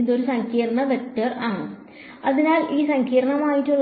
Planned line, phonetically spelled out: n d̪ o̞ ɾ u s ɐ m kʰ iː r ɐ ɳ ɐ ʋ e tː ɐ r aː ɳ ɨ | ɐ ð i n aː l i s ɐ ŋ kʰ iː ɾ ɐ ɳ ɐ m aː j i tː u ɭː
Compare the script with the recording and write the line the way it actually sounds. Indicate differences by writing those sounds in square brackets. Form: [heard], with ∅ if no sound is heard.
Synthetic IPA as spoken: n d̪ o̞ ɾ u s ɐ [ŋ] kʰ iː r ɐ ɳ ɐ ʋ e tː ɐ r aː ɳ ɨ | ɐ ð i n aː l [iː] s ɐ ŋ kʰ iː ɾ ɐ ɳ ɐ m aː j i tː u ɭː

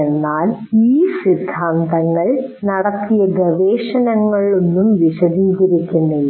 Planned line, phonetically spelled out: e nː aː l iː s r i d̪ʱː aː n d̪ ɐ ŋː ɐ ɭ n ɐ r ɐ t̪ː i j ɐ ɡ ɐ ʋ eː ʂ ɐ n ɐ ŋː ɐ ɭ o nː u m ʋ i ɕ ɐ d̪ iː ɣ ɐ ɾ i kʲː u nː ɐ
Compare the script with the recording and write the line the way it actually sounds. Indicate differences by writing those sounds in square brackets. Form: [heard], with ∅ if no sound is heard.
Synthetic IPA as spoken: e nː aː l iː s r i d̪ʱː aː n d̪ ɐ ŋː ɐ ɭ n ɐ [ɽ] ɐ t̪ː i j ɐ ɡ ɐ ʋ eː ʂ ɐ n ɐ ŋː ɐ ɭ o nː u m ʋ i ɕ ɐ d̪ iː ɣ ɐ ɾ i kʲː u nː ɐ

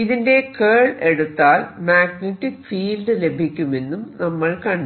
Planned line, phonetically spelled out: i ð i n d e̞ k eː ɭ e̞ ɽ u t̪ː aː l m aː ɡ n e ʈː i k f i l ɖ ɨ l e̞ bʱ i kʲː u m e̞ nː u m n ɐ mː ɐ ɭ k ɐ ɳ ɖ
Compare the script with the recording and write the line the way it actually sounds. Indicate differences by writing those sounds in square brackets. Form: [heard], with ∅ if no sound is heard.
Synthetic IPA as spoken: i ð i n d e̞ k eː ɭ e̞ ɽ u t̪ː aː l m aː ɡ n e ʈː i k f [iː] l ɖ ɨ l e̞ bʱ i kʲː u m e̞ nː u m n ɐ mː ɐ ɭ k ɐ ɳ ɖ

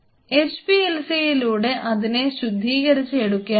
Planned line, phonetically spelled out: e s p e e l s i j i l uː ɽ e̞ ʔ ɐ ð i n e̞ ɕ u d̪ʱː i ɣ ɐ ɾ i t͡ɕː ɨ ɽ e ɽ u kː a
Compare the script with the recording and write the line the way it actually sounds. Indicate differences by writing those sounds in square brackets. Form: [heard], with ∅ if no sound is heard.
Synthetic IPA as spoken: e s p [i] e l s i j i l uː ɽ e̞ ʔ ɐ ð i n e̞ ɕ u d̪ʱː [iː] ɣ ɐ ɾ i t͡ɕː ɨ [∅] e ɽ u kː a

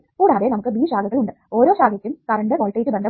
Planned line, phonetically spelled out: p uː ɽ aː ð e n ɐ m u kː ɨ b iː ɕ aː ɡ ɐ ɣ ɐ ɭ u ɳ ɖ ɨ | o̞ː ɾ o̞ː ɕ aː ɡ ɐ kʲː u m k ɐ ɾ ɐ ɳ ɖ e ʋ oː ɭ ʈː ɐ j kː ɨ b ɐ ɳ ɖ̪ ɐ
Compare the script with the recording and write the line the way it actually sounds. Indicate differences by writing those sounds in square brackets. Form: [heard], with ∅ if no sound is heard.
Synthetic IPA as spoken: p uː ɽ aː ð e n ɐ m u kː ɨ b iː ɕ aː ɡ ɐ ɣ ɐ ɭ u ɳ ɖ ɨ | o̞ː ɾ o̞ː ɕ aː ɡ ɐ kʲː u m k ɐ ɾ ɐ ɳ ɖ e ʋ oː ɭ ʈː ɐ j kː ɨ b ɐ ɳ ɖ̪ ɐ

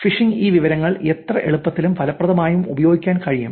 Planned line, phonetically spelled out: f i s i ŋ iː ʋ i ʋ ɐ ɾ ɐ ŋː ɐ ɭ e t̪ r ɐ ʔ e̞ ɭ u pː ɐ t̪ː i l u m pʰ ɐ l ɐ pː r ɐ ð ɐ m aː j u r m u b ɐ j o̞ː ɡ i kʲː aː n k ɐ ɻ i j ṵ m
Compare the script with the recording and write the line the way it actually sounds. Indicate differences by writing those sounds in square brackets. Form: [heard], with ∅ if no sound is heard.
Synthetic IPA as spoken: f i [ʂ] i ŋ iː ʋ i ʋ ɐ ɾ ɐ ŋː ɐ ɭ e t̪ r ɐ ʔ e̞ ɭ u pː ɐ t̪ː i l u m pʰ ɐ l ɐ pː r ɐ ð ɐ m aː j u [∅] m u b ɐ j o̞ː ɡ i kʲː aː n k ɐ ɻ i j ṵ m

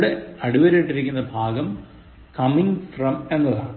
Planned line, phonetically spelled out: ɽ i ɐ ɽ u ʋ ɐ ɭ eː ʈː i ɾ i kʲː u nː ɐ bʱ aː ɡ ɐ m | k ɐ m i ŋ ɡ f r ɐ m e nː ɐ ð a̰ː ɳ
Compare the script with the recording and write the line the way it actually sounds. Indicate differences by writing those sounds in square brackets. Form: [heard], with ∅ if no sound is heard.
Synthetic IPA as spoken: ɽ [e] ɐ ɽ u ʋ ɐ [ɾ] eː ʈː i ɾ i kʲː u nː ɐ bʱ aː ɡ ɐ m | k ɐ m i ŋ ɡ f r ɐ m e nː ɐ ð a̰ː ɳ

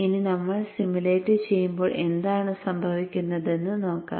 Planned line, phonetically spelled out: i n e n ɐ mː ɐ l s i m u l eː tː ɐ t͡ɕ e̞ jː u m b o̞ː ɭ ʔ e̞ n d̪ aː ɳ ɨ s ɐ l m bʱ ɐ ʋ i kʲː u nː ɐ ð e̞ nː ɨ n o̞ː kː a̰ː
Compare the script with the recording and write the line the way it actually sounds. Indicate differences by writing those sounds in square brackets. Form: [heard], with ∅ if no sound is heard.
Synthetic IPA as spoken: i n [i] n ɐ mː ɐ [ɭ] s i m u l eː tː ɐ t͡ɕ e̞ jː u m b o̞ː ɭ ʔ e̞ n d̪ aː ɳ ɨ s ɐ [∅] m bʱ ɐ ʋ i kʲː u nː ɐ ð e̞ nː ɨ n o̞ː kː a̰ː

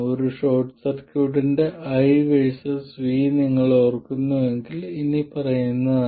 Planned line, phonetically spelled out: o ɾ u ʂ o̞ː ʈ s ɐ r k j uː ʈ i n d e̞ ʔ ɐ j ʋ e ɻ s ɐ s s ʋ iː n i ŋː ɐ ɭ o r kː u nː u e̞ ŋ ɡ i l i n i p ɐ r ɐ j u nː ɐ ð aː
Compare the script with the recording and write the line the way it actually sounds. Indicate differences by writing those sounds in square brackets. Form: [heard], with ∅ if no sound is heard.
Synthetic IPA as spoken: o ɾ u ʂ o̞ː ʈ s ɐ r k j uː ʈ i n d e̞ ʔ ɐ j ʋ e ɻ s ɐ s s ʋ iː n i ŋː ɐ ɭ o r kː u nː u e̞ ŋ ɡ i l i n i p ɐ r ɐ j u nː ɐ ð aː

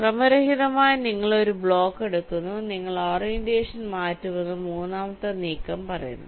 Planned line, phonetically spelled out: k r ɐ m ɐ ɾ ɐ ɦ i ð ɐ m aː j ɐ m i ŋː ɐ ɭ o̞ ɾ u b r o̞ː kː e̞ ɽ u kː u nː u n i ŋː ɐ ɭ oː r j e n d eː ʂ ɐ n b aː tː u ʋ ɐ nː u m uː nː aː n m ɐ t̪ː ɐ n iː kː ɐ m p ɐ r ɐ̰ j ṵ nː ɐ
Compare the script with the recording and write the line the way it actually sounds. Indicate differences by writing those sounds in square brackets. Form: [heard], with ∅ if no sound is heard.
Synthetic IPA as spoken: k r ɐ m ɐ ɾ ɐ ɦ i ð ɐ m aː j ɐ [n] i ŋː ɐ ɭ o̞ ɾ u b [ɭ] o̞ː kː e̞ ɽ u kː u nː u n i ŋː ɐ ɭ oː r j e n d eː ʂ ɐ n [m] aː tː u ʋ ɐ nː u m uː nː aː [∅] m ɐ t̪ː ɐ n iː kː ɐ m p ɐ r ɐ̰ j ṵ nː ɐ

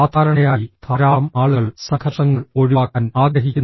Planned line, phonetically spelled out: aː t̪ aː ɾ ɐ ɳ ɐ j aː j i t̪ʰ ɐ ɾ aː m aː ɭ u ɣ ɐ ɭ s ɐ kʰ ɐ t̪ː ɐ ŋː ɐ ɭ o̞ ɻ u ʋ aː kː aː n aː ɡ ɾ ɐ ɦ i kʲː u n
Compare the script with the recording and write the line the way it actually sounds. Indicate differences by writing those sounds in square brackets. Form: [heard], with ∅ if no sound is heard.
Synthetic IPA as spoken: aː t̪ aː ɾ ɐ ɳ ɐ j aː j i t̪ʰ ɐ ɾ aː m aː ɭ u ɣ ɐ ɭ s ɐ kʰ ɐ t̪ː ɐ ŋː ɐ ɭ o̞ ɻ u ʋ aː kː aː n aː ɡ ɾ ɐ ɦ i kʲː u n

